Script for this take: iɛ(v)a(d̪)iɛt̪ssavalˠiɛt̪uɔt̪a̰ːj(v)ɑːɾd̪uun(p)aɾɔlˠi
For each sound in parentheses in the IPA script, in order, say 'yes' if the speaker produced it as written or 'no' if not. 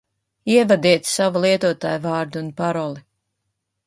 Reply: yes, yes, yes, yes

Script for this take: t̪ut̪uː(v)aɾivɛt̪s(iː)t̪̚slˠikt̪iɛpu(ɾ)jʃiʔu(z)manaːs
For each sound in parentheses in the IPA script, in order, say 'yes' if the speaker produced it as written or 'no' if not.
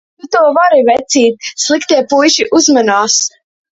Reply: yes, yes, no, yes

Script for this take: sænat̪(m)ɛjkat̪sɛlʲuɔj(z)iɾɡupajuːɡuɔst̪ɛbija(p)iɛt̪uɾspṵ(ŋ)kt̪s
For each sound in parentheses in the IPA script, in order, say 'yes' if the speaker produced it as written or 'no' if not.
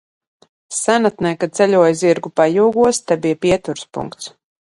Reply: no, yes, yes, yes

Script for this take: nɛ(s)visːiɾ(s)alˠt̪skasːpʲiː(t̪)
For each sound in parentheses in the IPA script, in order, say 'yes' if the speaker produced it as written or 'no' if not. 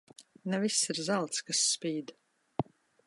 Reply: no, no, no

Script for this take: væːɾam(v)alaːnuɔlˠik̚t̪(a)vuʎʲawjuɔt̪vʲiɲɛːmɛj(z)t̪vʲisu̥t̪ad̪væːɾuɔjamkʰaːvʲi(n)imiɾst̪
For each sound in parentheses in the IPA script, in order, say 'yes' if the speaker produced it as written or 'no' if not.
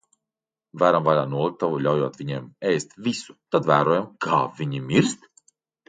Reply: yes, yes, no, no

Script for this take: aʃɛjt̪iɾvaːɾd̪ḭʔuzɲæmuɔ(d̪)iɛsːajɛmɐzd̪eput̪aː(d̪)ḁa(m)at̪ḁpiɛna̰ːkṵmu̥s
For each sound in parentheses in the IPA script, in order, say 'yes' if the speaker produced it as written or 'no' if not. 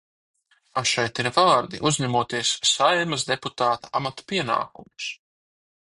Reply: no, no, yes

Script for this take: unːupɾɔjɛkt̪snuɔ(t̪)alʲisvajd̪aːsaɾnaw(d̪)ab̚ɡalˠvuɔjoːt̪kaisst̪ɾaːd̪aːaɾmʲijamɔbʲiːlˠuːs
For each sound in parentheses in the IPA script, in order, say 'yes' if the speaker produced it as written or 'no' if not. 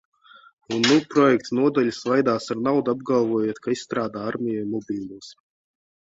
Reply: no, yes

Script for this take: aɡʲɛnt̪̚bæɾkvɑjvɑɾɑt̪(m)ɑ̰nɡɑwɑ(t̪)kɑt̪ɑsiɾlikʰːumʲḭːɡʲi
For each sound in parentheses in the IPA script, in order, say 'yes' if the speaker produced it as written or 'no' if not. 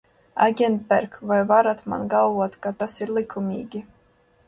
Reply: yes, yes

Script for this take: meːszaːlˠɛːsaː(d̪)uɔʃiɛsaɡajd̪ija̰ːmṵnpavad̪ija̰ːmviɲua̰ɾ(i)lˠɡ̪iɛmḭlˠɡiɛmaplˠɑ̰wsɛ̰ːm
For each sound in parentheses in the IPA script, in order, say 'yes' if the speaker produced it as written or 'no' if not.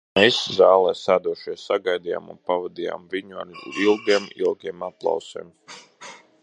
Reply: yes, yes

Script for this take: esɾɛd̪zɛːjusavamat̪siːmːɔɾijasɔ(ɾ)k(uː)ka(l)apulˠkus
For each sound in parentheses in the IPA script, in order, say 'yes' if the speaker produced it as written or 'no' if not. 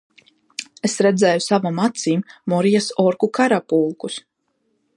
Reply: yes, no, no

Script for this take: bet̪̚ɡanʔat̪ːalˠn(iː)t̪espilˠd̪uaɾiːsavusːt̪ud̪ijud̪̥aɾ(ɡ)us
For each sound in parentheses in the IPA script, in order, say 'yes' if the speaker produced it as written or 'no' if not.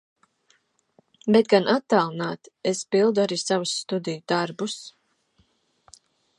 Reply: no, no

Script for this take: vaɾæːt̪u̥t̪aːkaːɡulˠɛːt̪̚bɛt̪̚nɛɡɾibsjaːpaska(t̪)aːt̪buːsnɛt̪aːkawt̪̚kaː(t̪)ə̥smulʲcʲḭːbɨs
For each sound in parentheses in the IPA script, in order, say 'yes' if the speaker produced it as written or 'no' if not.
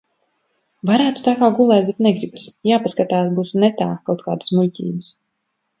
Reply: yes, no

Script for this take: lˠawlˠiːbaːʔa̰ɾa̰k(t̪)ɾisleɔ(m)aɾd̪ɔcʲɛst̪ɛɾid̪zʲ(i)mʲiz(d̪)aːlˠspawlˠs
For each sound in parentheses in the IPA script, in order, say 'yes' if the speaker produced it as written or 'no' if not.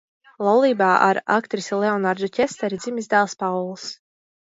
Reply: yes, no, yes, yes

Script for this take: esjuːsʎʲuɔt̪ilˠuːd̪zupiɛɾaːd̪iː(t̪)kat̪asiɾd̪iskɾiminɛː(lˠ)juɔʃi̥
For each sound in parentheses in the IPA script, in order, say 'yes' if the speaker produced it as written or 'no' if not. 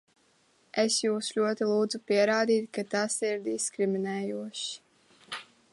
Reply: yes, no

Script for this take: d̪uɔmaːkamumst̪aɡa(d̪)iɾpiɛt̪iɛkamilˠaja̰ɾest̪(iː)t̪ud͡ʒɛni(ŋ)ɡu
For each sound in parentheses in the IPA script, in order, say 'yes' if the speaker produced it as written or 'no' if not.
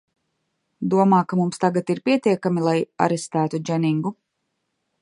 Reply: no, no, yes

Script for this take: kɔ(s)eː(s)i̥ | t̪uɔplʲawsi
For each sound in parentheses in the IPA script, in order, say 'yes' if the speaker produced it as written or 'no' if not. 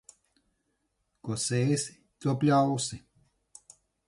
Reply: yes, yes

